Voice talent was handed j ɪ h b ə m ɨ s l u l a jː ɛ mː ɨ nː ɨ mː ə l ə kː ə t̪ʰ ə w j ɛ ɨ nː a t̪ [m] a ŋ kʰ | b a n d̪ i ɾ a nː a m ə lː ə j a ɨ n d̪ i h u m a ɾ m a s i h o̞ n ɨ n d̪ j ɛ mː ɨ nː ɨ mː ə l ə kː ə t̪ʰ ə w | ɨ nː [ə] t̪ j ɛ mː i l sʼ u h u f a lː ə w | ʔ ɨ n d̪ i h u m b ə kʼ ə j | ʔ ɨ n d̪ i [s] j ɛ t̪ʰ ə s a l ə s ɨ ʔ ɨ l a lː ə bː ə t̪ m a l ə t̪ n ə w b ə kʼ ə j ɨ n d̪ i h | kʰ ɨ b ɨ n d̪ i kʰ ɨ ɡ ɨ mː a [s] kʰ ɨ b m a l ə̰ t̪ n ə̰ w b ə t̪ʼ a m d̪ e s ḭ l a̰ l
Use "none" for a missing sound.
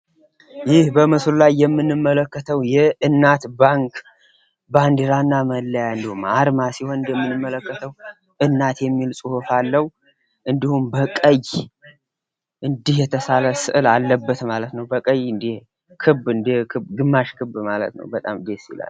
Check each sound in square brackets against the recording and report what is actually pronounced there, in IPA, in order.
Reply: b, a, h, ʃ

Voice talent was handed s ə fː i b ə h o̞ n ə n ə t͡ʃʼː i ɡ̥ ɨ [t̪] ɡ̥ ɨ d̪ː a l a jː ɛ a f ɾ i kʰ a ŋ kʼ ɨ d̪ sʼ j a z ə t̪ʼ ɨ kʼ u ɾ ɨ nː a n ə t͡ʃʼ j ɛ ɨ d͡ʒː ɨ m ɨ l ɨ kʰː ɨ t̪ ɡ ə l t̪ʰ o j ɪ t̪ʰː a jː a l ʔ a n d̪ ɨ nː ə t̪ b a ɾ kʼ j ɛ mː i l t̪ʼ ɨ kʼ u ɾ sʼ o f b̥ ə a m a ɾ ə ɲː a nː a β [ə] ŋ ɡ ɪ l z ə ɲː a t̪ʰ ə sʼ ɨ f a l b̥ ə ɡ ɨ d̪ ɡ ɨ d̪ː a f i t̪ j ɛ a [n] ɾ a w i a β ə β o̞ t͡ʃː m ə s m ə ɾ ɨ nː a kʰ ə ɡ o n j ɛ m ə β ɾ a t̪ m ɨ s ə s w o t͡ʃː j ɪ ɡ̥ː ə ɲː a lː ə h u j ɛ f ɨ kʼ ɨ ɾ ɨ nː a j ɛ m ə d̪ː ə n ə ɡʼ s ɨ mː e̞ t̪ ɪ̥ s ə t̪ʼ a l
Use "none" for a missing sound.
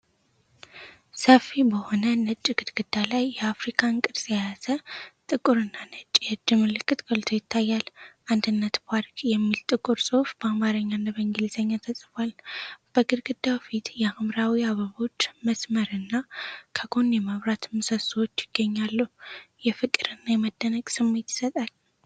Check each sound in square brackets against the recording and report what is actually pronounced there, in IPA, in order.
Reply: d̪, ə, m

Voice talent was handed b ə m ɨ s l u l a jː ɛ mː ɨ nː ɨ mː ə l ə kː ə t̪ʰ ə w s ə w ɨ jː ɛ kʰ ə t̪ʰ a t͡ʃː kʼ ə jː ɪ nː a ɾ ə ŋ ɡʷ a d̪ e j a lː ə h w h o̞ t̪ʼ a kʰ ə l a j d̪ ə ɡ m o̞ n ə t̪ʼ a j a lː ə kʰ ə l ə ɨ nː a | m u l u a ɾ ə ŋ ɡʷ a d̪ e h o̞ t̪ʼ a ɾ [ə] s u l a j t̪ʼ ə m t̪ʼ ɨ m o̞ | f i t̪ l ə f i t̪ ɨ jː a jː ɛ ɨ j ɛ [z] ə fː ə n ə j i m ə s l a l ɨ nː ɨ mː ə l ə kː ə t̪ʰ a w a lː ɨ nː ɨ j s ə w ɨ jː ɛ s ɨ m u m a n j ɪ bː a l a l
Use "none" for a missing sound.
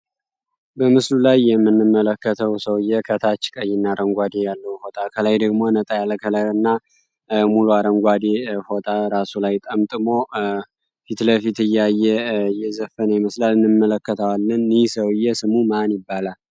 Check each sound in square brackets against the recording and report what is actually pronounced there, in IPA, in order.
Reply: a, z

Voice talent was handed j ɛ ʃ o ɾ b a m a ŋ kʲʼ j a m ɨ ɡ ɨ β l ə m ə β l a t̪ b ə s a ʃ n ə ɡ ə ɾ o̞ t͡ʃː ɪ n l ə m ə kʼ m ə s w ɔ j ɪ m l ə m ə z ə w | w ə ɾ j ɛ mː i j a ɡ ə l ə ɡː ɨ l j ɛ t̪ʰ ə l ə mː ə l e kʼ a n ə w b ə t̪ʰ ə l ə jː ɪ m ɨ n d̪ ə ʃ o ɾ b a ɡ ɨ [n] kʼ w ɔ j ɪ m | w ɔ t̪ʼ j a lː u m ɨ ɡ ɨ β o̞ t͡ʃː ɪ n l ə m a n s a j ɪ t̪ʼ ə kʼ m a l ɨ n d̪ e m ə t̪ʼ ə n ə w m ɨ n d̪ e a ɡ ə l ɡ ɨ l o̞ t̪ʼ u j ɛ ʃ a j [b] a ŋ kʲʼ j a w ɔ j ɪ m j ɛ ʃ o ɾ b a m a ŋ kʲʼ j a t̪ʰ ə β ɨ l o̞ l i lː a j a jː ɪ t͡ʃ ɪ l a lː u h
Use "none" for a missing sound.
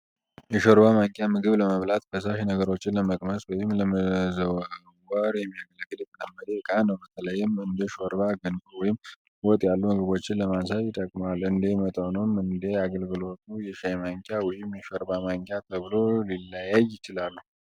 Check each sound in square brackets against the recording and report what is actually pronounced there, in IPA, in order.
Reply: n, m

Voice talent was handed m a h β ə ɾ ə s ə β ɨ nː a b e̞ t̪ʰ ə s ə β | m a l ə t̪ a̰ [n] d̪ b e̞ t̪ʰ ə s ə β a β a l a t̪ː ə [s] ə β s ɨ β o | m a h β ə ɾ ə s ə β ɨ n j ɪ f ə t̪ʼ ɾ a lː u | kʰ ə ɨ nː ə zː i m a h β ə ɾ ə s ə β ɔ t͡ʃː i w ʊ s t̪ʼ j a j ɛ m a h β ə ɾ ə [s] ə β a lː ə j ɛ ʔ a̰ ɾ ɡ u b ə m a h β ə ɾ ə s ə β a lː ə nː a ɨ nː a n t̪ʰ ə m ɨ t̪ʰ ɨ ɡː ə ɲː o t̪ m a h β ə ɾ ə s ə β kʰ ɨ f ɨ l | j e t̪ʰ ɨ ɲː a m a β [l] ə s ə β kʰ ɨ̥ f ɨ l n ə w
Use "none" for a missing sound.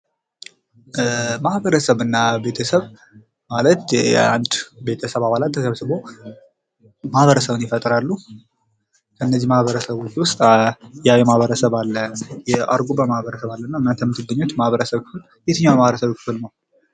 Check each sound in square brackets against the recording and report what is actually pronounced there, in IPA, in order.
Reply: n, s, s, ɾ

